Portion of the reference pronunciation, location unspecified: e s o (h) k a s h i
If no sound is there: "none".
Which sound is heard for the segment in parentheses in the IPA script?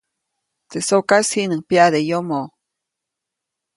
none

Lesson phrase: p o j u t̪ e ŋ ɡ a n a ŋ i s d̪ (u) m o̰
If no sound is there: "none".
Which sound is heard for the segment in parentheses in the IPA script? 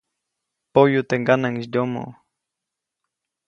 o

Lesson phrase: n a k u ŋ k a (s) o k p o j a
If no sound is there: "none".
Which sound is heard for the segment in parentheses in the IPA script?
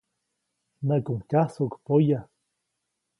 s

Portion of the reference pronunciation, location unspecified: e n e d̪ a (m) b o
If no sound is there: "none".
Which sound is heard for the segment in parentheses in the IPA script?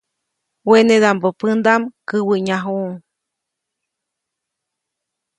m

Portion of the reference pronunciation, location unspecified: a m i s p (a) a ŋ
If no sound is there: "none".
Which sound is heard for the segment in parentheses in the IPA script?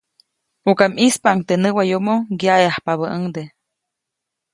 a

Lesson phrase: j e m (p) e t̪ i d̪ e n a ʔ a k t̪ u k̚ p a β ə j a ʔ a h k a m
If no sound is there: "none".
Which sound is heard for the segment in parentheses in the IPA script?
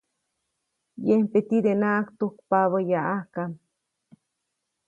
p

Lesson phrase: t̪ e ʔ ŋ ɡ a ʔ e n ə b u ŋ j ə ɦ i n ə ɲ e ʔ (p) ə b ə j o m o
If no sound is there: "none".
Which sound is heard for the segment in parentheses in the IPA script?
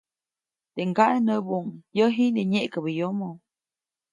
k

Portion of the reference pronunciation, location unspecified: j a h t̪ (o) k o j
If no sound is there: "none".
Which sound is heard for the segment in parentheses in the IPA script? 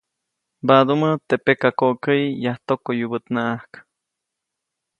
o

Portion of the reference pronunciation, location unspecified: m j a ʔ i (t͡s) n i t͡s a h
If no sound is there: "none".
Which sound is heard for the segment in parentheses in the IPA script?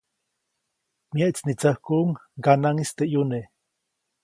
t͡s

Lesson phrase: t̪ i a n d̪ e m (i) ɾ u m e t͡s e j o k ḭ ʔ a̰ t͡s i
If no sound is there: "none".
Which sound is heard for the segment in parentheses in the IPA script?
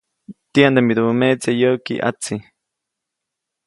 i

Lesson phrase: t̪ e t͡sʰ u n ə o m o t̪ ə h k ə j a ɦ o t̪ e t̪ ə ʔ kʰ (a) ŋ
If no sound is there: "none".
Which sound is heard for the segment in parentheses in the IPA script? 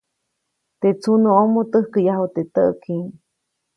i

